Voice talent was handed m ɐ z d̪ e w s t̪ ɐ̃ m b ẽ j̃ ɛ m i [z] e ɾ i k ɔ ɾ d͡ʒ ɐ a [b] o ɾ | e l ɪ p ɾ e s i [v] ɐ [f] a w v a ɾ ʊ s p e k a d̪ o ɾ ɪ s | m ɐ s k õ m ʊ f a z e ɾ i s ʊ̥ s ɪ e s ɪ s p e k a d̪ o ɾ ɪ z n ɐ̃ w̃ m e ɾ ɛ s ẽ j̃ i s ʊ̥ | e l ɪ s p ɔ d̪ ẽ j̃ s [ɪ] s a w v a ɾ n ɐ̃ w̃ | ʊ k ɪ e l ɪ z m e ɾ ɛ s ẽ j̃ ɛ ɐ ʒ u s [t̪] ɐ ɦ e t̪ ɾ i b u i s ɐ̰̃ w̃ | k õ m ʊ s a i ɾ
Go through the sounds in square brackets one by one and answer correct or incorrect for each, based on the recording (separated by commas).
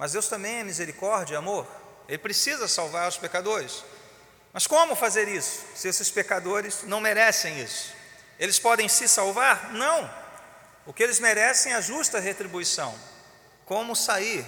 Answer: correct, incorrect, incorrect, incorrect, correct, correct